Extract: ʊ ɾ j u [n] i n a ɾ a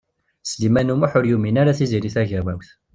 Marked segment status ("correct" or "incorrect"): incorrect